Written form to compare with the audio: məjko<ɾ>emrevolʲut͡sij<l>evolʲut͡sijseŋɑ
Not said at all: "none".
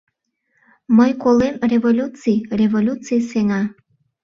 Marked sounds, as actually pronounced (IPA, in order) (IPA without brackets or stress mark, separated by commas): l, r